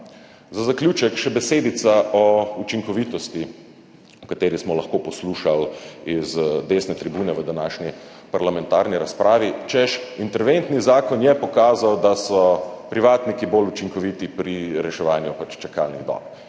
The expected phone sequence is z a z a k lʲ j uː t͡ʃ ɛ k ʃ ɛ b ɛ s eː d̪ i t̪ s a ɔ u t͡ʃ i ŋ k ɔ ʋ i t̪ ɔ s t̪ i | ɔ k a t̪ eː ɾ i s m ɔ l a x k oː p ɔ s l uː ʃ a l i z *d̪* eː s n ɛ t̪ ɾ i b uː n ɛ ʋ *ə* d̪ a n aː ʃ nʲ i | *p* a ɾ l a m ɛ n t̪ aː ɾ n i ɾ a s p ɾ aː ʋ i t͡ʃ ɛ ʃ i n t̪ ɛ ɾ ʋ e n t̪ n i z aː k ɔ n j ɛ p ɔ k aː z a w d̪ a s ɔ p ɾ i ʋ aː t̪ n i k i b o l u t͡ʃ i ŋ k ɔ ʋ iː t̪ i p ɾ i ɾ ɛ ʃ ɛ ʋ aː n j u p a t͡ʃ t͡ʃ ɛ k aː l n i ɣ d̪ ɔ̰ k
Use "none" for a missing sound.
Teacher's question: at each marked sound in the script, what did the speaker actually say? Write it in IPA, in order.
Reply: d̪, ə, p

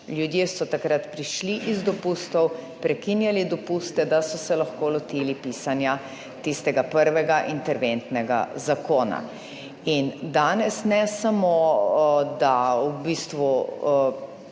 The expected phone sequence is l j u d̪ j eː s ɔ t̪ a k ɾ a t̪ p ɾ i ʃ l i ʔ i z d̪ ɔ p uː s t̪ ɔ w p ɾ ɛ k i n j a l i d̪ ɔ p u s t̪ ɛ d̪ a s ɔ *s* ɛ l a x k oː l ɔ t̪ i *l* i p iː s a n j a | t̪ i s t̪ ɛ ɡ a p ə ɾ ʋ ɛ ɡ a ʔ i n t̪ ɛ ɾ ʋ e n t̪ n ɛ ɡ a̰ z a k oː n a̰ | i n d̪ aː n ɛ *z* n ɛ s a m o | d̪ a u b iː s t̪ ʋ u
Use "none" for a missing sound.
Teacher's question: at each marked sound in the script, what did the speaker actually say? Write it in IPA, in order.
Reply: s, l, s

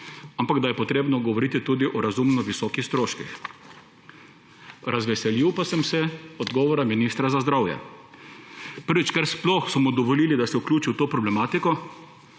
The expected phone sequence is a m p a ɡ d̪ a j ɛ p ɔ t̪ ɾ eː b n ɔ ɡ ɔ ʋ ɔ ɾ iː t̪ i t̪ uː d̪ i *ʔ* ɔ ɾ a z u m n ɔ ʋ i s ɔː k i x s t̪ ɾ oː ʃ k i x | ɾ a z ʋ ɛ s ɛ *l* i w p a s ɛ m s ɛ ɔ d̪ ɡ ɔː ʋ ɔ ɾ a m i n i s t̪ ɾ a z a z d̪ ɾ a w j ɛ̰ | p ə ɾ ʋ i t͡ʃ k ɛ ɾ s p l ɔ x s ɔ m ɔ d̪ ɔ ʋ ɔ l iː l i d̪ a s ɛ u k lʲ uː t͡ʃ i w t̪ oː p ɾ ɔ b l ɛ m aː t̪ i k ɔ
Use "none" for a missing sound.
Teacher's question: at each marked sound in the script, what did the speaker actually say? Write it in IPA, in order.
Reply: ʔ, l

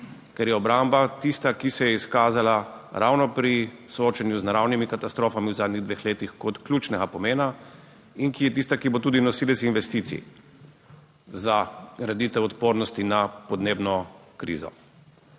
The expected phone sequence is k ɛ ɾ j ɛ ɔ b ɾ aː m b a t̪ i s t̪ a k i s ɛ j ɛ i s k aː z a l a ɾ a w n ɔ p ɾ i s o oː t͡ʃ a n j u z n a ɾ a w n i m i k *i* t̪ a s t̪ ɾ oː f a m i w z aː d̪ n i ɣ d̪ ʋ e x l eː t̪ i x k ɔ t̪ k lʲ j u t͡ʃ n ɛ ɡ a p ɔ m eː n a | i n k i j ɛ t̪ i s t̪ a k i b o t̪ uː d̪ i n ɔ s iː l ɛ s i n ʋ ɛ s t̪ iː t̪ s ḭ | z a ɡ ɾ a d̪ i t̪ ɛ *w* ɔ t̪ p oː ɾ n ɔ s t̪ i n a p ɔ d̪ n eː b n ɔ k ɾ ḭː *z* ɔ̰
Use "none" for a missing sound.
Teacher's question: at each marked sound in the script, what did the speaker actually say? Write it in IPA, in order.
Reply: a, w, z

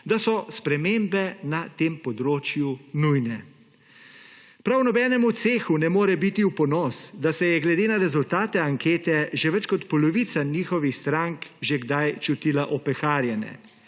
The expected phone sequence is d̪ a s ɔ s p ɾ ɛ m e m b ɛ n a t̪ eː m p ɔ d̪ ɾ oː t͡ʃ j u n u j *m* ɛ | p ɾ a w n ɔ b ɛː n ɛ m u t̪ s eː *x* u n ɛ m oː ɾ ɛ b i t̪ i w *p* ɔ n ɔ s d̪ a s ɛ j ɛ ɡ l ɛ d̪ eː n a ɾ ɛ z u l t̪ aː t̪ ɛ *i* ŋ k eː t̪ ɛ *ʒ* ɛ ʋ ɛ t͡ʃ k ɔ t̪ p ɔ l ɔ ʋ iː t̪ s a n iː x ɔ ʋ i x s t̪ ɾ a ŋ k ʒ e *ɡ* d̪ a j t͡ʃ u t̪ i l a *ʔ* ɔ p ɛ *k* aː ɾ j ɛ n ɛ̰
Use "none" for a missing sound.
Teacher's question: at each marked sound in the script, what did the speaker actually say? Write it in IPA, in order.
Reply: n, x, p, a, ʒ, ɡ, ʔ, x

